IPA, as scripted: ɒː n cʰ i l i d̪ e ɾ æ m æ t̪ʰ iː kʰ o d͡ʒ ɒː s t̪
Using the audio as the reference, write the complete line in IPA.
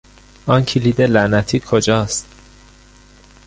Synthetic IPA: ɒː n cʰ i l i d̪ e l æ n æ t̪ʰ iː kʰ o d͡ʒ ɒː s t̪